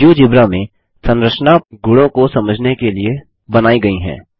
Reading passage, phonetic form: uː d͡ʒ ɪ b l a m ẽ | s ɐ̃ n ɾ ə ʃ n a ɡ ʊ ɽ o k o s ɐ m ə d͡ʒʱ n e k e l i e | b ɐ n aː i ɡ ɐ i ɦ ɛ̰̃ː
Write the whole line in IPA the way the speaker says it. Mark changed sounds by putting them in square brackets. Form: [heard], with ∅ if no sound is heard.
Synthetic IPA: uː d͡ʒ ɪ b [ɾ] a m ẽ | s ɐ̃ n ɾ ə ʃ n a ɡ ʊ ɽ [õ] k o s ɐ m ə d͡ʒʱ n e k e l i e | b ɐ n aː i ɡ ɐ i ɦ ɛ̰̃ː

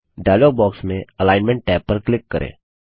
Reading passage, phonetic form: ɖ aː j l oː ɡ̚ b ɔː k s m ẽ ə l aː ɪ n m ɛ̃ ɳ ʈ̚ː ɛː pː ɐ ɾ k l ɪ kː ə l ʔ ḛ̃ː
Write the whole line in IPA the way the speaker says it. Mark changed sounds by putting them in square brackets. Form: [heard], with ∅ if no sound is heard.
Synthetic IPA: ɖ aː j l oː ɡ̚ b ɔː k s m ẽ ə l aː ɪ n m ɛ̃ ɳ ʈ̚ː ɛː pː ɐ ɾ k l ɪ kː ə [ɾ] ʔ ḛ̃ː

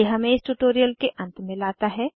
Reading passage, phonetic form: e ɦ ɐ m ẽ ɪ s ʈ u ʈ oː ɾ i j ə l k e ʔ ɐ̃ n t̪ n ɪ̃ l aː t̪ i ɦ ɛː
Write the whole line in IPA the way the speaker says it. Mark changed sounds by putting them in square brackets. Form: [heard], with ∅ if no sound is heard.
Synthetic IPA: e ɦ ɐ m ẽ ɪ s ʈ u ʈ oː ɾ i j ə l k e ʔ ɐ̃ n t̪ [m] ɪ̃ l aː t̪ [a] ɦ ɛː

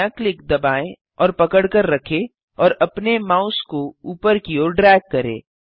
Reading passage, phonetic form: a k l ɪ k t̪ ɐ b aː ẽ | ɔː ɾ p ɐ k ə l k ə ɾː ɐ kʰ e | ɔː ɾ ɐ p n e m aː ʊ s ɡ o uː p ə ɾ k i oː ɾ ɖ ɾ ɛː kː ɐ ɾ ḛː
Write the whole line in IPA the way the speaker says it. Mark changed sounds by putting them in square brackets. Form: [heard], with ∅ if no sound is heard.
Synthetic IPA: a k l ɪ k [d̪] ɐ b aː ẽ | ɔː ɾ p ɐ k ə [ɽ] k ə ɾː ɐ kʰ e | ɔː ɾ ɐ p n e m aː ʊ s [k] o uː p ə ɾ k i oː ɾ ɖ ɾ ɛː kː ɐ ɾ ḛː

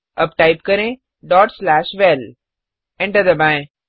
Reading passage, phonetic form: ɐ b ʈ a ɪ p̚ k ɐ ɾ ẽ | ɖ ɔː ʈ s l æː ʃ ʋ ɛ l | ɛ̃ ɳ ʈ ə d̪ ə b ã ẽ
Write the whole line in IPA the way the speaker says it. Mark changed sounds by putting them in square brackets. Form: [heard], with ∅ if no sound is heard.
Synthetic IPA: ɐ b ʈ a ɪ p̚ k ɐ ɾ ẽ | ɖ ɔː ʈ s l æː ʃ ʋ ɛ l | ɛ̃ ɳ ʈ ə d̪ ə b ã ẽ

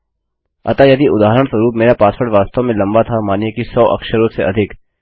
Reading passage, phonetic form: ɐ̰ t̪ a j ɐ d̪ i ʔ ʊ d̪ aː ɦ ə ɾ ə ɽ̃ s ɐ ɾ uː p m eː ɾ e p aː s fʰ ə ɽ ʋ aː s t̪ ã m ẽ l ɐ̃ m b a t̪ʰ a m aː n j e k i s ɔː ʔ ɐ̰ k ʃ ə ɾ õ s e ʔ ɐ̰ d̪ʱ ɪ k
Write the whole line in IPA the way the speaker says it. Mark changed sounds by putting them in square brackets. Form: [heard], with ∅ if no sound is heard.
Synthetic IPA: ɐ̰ t̪ a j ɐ d̪ i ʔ ʊ d̪ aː ɦ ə ɾ ə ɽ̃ s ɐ ɾ uː p m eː ɾ [a] p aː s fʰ ə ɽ ʋ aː s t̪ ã m ẽ l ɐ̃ m b a t̪ʰ a m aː n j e k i s ɔː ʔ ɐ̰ k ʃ ə ɾ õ s e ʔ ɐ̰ d̪ʱ ɪ k

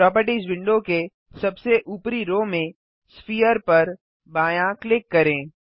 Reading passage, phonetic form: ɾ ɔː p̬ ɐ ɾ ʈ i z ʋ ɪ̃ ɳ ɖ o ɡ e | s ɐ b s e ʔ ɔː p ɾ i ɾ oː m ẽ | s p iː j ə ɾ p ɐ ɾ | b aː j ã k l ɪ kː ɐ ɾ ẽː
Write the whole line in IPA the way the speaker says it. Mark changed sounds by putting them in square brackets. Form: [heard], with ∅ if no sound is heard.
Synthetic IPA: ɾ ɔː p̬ [ə] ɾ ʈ i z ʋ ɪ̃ ɳ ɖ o [k] e | s ɐ b s e ʔ [uː] p ɾ i ɾ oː m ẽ | s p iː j ə ɾ p ɐ ɾ | b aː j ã k l ɪ kː ɐ ɾ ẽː

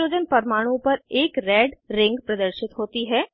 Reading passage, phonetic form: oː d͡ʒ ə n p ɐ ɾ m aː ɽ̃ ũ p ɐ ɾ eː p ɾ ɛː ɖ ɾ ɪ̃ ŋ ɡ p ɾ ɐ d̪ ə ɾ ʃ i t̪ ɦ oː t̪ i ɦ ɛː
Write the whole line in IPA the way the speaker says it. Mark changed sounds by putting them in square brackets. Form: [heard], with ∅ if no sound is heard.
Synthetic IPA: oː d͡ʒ ə n p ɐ ɾ m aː ɽ̃ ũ p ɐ ɾ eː [k] ɾ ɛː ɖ ɾ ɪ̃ ŋ ɡ p ɾ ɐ d̪ ə ɾ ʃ [ɪ] t̪ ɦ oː t̪ i ɦ ɛː

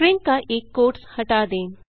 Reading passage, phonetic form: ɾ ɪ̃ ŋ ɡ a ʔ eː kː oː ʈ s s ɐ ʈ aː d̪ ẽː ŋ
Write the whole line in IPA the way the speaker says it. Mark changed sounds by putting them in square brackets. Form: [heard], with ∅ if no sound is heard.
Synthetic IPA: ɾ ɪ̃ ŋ [k] a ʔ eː kː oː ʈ s [h] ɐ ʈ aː d̪ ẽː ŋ

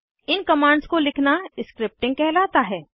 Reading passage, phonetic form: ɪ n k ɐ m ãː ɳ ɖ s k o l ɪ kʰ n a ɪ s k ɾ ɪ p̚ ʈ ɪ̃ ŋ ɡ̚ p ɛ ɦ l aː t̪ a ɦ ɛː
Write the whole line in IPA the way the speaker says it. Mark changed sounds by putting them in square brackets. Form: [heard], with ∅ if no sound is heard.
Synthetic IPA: ɪ n k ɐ m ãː ɳ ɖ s k o l ɪ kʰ n a ɪ s k ɾ ɪ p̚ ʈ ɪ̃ ŋ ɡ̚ [k] ɛ ɦ l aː t̪ a ɦ ɛː

